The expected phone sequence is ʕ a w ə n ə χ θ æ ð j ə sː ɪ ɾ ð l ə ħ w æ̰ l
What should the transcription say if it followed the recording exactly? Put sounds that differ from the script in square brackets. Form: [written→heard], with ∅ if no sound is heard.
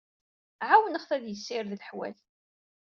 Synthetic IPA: ʕ a w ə n ə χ θ æ ð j ə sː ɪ ɾ ð l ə ħ w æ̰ l

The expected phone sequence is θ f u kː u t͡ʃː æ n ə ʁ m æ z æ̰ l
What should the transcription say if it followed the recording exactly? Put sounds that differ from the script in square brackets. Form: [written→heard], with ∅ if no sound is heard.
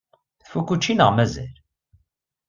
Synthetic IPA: θ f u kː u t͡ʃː [æ→i] n ə ʁ m æ z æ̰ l

